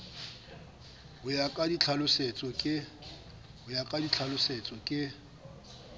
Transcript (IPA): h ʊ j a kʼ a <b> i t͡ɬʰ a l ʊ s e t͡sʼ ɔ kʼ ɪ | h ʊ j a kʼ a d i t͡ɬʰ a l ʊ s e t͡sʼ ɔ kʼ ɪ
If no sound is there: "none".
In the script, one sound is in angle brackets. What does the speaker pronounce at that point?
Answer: d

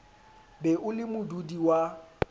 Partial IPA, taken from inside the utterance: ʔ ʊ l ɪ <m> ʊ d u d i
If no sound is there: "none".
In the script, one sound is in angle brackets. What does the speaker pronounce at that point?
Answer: m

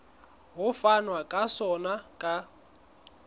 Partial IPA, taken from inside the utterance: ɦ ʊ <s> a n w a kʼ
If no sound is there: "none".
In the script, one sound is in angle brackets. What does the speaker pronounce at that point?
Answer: f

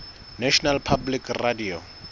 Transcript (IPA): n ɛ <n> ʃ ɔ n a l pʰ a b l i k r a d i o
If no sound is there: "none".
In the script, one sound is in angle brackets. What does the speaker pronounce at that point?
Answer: none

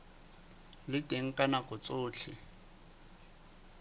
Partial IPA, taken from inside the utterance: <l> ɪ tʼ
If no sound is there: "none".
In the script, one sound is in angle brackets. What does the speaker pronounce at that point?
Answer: l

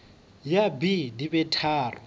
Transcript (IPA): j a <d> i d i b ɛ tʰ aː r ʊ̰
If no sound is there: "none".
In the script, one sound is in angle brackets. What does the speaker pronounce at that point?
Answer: b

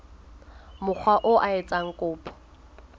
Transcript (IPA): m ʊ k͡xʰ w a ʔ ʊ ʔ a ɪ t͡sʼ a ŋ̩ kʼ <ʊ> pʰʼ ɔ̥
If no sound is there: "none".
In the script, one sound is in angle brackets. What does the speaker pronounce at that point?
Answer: ʊː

